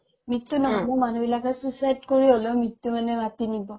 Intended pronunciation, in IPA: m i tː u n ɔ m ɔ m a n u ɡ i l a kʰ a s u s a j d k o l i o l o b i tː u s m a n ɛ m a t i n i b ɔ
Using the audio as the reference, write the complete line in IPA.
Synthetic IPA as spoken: m i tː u n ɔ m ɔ m a n u b i l a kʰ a s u s a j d k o ɹ i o l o m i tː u m a n ɛ m a t i n i b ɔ